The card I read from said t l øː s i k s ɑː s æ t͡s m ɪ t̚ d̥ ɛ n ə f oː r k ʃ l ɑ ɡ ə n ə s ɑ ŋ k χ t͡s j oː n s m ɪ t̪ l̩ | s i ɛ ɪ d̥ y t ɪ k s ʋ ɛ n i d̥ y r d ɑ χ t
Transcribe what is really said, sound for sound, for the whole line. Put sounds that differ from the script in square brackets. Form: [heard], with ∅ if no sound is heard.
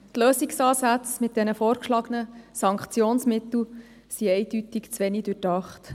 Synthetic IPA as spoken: t l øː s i k s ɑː s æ t͡s m ɪ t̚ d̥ ɛ n ə f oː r k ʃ l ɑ ɡ ə n ə s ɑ ŋ k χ t͡s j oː n s m ɪ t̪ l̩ | s i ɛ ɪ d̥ y t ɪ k [t͡s] ʋ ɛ n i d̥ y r d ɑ χ t